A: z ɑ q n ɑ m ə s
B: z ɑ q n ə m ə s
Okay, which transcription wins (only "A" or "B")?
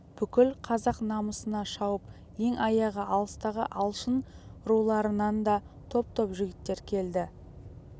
A